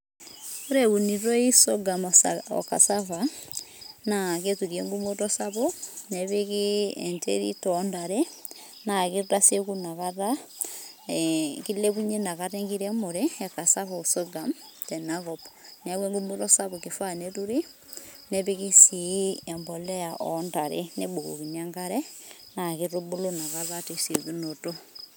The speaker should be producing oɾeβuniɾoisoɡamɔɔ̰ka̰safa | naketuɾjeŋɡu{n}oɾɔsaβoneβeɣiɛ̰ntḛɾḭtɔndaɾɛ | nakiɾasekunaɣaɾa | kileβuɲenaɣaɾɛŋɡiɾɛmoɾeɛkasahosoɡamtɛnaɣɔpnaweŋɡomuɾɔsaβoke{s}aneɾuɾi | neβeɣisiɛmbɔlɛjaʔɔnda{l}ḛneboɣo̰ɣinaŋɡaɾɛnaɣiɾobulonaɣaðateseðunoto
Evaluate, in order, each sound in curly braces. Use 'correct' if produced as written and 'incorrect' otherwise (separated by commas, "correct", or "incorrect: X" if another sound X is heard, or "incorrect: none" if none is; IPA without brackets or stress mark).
incorrect: m, incorrect: f, incorrect: ɾ